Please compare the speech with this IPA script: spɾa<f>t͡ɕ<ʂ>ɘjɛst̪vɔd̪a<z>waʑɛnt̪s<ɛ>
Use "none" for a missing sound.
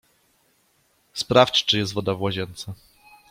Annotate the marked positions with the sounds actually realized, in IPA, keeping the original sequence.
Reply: f, t͡ʂ, v, a

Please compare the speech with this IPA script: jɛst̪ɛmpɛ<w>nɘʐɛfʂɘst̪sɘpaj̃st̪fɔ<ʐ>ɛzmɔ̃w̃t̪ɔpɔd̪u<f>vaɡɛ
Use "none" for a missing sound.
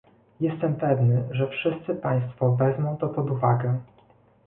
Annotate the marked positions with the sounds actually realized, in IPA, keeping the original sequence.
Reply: v, v, none

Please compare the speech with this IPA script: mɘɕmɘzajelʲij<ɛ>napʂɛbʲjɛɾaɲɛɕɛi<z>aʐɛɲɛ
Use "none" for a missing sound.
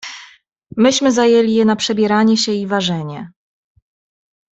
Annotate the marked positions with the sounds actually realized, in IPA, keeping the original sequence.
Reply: ɛ, v

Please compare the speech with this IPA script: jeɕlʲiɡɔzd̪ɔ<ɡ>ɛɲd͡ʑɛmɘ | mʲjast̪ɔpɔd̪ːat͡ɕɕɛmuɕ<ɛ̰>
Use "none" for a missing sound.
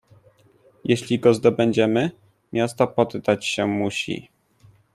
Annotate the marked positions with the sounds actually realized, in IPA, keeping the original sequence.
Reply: b, ḭ

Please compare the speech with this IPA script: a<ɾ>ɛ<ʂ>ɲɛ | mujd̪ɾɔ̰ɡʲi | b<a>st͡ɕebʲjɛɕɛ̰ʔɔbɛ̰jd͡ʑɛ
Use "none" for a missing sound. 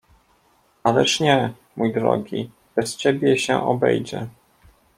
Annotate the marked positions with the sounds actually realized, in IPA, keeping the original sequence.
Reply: l, ʂ, ɛ

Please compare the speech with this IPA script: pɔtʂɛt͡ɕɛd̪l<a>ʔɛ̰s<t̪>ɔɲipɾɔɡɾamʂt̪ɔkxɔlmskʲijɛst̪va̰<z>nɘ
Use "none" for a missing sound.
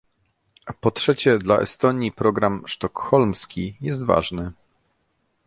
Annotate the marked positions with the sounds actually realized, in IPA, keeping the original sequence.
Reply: a, t̪, ʐ

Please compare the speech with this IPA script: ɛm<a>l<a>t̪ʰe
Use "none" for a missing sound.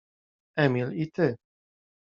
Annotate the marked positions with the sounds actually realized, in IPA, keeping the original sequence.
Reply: i, i

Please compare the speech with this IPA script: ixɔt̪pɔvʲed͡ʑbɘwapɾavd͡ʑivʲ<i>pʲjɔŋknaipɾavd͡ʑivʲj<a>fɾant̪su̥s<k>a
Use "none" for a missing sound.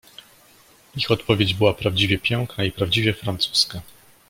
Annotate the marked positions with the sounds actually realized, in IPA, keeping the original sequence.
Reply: ɛ, ɛ, k

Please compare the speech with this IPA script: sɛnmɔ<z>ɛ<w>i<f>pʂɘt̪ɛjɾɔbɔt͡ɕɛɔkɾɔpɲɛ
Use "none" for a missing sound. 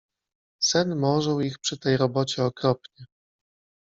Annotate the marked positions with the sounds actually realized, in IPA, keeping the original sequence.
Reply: ʐ, w, x

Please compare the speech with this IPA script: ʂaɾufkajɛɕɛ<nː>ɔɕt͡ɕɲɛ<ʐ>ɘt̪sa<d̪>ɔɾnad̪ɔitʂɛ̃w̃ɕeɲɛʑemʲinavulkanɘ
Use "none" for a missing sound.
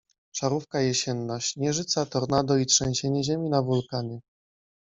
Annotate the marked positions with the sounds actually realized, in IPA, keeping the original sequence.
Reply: nː, ʐ, t̪

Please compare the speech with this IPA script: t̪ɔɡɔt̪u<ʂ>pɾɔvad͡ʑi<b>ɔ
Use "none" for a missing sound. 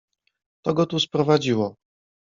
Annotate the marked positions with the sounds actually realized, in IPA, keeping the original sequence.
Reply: s, w

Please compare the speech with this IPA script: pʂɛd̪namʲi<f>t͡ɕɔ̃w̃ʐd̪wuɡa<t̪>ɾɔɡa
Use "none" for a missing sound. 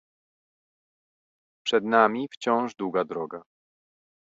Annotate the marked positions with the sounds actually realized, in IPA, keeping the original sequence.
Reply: f, d̪

